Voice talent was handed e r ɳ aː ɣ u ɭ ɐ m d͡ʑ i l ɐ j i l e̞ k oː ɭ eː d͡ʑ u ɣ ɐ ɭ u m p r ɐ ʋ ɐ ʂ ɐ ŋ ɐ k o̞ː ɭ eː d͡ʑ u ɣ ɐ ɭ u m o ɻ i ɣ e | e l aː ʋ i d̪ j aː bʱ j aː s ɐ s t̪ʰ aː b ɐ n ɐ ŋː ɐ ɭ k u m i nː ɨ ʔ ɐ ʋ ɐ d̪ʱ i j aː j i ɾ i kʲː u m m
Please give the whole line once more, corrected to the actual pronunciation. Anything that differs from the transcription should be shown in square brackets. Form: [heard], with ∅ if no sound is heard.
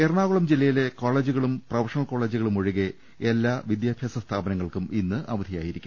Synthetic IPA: e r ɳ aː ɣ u ɭ ɐ m d͡ʑ i [lː] ɐ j i l e̞ k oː ɭ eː d͡ʑ u ɣ ɐ ɭ u m p r ɐ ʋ ɐ ʂ ɐ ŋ ɐ k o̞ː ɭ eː d͡ʑ u ɣ ɐ ɭ u m o ɻ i ɣ e | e [lː] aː ʋ i d̪ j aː bʱ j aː s ɐ s t̪ʰ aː b ɐ n ɐ ŋː ɐ ɭ k u m i nː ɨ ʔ ɐ ʋ ɐ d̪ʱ i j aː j i ɾ i kʲː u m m